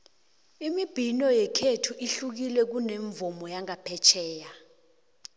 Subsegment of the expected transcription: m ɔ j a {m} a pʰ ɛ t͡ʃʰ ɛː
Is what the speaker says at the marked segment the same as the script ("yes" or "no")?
no